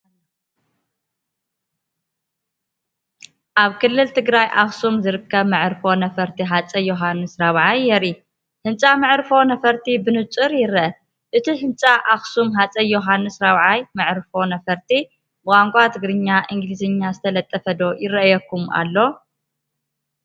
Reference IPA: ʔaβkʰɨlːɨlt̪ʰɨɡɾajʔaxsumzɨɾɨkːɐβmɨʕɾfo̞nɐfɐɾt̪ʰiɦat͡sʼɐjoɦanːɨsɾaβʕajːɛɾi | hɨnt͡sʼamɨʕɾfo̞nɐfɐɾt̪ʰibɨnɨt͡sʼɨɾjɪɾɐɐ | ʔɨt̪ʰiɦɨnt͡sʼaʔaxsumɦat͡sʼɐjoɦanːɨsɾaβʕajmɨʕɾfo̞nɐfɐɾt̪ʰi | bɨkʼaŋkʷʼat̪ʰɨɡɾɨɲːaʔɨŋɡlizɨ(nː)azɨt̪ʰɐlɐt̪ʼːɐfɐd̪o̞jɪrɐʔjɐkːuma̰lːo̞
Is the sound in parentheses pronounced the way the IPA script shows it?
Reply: no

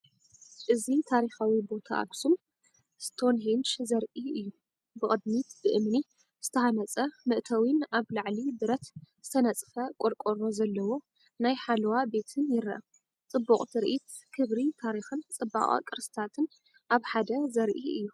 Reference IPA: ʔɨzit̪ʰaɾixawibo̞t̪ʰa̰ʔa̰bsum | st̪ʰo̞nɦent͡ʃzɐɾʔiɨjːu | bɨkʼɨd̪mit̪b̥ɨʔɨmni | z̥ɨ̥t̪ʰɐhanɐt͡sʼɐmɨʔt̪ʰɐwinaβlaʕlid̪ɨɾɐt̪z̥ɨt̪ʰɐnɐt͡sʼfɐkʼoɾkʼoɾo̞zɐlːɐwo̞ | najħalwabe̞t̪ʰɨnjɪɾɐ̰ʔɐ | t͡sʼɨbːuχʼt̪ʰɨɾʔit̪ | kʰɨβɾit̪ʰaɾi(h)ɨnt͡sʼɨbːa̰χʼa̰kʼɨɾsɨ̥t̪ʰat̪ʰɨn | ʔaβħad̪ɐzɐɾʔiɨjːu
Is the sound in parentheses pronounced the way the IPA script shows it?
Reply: no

